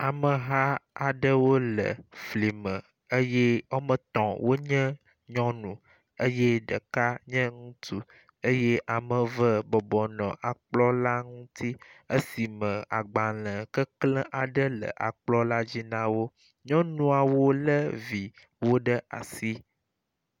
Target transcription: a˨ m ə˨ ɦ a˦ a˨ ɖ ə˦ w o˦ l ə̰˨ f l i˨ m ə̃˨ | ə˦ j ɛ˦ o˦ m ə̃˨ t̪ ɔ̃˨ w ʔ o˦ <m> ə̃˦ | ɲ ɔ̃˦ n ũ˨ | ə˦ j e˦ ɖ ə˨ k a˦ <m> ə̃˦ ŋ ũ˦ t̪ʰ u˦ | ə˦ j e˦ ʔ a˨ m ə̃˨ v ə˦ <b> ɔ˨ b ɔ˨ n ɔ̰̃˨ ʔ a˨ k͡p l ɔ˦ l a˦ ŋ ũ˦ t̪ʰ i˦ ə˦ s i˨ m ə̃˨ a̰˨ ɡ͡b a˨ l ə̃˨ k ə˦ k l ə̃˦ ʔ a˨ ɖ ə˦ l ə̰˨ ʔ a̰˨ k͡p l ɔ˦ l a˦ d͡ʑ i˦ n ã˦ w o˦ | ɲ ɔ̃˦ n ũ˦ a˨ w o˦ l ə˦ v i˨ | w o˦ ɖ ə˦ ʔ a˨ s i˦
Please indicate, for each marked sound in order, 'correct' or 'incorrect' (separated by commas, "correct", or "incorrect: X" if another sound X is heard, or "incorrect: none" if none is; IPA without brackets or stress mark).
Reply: incorrect: ɲ, incorrect: ɲ, correct